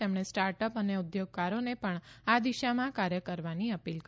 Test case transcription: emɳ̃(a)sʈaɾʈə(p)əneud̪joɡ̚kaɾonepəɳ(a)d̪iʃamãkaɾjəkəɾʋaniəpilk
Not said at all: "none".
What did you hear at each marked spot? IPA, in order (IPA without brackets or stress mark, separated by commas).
e, p, a